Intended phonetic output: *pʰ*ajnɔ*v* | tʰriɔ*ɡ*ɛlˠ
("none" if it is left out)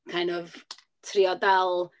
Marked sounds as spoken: kʰ, v, d

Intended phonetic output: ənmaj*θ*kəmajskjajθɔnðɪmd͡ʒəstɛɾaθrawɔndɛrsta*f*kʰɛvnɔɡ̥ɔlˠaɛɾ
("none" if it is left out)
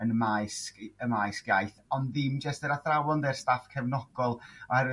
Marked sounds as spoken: s, f

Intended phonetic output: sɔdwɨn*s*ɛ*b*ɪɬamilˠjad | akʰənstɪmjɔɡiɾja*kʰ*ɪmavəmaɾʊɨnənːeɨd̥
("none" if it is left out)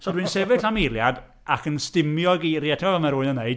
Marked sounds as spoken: s, v, tʰ

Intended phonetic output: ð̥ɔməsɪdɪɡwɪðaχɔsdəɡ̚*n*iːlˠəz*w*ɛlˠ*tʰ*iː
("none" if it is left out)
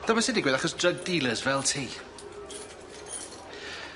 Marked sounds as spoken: d, v, tʰ

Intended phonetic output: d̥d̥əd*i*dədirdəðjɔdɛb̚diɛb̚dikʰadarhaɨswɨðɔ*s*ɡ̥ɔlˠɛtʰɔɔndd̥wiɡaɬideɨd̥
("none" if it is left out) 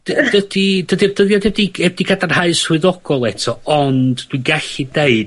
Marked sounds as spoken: i, none

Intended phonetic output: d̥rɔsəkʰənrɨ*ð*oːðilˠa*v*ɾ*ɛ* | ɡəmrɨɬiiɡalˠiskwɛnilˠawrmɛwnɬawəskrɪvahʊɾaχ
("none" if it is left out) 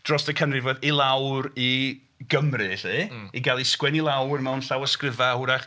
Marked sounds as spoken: v, w, i

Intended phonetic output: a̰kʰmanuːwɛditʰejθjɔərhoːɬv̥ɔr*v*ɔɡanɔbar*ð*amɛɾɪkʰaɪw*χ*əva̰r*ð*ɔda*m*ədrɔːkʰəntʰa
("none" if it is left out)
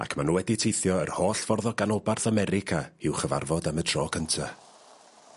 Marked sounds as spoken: ð, θ, χ, v, m

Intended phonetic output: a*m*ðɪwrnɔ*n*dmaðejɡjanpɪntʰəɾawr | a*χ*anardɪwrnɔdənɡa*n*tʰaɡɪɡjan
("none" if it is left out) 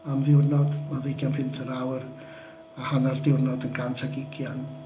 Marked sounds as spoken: m, none, h, n

